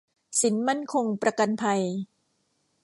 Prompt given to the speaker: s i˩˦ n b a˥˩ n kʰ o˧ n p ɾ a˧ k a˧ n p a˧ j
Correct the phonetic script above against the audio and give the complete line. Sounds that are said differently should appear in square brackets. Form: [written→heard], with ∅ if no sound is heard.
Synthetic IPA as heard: s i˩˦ n [b→m] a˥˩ n kʰ o˧ [n→ŋ] p ɾ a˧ k a˧ n [p→pʰ] a˧ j